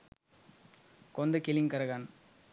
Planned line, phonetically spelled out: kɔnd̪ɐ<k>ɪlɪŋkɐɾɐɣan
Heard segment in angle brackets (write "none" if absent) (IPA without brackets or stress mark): k